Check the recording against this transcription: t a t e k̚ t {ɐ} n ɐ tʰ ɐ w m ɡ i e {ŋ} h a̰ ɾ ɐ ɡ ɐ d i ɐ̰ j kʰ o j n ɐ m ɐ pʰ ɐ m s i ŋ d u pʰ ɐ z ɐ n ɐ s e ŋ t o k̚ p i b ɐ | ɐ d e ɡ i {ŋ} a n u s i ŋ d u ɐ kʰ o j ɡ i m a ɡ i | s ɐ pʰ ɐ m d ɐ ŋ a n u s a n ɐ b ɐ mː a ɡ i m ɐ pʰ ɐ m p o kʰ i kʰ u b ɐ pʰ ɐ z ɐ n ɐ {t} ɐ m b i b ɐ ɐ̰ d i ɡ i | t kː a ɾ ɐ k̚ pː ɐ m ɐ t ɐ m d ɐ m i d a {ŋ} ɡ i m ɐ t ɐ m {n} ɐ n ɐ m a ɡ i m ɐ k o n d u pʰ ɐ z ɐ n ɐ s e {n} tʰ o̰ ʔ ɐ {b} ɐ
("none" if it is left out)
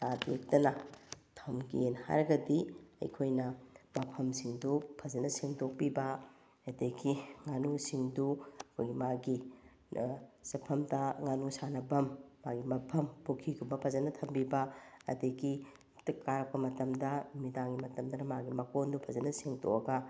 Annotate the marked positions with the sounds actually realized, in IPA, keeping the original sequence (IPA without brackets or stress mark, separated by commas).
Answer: ɐ, n, ŋ, tʰ, ŋ, d, ŋ, ɡ